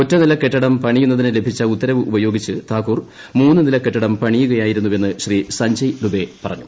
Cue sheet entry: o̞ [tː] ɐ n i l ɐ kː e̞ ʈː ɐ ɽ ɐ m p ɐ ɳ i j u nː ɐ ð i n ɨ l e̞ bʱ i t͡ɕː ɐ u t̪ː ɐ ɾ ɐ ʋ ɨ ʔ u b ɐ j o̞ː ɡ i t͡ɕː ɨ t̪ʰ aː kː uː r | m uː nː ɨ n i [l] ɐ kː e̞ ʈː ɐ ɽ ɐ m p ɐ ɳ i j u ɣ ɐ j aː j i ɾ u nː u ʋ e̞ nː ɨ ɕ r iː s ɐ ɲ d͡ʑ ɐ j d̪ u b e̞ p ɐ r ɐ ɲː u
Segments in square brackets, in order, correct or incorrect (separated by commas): correct, correct